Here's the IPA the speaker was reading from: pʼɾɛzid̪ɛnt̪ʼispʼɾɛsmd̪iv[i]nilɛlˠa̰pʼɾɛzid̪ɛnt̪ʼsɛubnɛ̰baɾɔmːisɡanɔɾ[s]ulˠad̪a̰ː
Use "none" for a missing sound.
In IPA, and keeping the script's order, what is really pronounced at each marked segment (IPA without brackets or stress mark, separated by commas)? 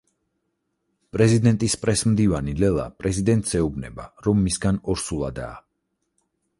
a, s